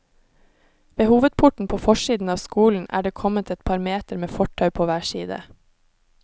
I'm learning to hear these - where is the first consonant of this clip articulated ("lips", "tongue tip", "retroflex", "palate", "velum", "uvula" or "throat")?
lips